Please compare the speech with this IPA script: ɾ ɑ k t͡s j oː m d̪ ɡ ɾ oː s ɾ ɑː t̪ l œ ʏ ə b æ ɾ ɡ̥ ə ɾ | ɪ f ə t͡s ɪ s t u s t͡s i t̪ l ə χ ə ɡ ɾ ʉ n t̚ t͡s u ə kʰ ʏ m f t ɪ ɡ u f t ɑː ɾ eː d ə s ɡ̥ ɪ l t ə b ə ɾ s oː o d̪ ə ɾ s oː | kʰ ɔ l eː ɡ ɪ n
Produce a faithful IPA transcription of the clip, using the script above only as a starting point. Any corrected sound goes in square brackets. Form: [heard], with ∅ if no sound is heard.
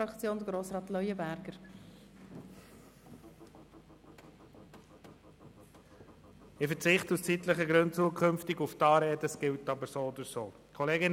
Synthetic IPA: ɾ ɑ k t͡s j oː [n] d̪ ɡ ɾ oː s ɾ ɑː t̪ l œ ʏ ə b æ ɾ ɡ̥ ə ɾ | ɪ f ə t͡s ɪ [χ] t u s t͡s i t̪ l ə χ ə ɡ ɾ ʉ n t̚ t͡s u ə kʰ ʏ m f t ɪ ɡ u f t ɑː ɾ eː d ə s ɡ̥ ɪ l t [ɑ] b ə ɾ s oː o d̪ ə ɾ s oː | kʰ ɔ l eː ɡ ɪ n